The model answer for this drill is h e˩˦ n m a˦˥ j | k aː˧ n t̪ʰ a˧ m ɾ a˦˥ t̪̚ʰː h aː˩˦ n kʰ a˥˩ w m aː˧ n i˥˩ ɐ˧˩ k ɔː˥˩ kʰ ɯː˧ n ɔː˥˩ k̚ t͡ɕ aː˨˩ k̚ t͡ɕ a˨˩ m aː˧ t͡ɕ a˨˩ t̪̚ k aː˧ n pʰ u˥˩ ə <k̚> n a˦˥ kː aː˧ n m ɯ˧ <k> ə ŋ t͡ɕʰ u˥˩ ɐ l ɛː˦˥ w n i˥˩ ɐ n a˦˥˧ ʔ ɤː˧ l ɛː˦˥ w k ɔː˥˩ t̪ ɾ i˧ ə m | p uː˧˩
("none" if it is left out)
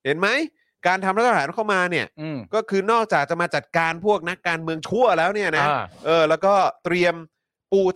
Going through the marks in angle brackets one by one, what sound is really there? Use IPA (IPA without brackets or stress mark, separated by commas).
k̚, none